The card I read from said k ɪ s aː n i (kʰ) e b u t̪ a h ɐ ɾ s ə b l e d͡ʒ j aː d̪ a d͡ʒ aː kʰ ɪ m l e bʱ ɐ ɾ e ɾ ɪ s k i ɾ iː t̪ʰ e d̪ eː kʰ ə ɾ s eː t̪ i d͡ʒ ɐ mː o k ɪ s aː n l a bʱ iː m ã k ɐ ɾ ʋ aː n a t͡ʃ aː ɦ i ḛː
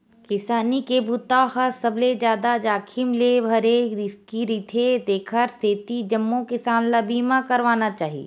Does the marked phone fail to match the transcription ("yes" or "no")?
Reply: yes